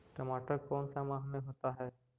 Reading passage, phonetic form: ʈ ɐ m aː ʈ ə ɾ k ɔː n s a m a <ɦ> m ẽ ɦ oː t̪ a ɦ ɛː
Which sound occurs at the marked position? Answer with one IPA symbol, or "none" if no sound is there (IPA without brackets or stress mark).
ɦ